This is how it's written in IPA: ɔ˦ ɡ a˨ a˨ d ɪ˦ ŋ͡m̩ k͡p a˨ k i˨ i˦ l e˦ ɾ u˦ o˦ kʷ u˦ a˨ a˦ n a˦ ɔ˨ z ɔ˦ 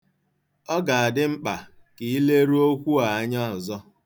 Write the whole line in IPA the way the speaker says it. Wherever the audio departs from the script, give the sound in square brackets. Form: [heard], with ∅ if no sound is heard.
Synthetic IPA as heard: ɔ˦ ɡ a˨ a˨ d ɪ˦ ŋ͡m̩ k͡p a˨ k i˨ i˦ l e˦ ɾ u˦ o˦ kʷ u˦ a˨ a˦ [ɲ] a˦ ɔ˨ z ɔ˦